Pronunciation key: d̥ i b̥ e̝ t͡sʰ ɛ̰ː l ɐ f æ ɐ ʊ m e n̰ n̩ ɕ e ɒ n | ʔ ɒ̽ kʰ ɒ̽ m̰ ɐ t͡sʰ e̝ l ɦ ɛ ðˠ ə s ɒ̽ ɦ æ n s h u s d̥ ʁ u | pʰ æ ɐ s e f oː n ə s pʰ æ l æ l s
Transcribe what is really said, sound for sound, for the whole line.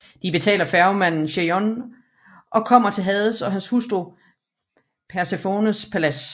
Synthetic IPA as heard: d̥ i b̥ e̝ t͡sʰ ɛ̰ː l ɐ f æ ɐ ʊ m æ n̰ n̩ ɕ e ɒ n | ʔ ɒ̽ kʰ ɒ̽ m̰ ɐ t͡sʰ e̝ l ɦ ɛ ðˠ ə s ɒ̽ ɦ æ n s h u s d̥ ʁ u | pʰ æ ɐ s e f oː n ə s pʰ æ l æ s